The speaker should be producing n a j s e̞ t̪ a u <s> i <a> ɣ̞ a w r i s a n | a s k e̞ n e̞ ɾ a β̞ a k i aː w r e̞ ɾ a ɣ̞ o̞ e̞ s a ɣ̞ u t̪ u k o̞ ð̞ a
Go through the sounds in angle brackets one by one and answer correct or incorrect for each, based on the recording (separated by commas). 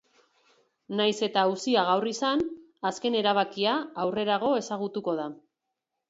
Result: correct, correct